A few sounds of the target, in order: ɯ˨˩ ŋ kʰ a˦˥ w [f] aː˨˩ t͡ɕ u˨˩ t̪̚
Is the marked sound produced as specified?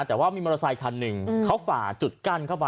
yes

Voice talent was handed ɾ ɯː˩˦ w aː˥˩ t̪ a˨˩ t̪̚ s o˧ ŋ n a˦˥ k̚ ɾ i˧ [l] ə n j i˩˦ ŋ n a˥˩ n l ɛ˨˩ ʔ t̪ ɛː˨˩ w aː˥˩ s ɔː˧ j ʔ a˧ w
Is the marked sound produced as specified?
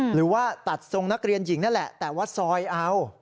no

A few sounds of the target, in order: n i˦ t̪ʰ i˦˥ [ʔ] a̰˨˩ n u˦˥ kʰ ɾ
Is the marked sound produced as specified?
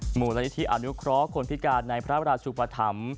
yes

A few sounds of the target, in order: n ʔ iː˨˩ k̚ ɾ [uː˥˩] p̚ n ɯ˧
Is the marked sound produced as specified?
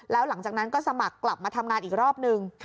no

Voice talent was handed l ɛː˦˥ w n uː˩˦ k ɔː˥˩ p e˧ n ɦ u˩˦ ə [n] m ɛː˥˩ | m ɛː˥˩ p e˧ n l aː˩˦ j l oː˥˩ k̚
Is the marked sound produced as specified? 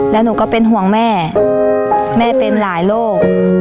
no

